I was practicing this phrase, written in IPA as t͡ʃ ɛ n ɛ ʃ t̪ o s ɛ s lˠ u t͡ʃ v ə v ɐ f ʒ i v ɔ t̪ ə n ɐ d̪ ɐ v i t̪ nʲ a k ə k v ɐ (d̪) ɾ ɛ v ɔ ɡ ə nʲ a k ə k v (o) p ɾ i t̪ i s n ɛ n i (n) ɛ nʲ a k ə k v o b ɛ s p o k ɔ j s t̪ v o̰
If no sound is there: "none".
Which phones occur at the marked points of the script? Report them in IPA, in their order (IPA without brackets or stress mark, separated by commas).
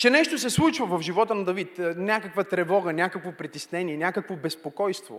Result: t̪, o, none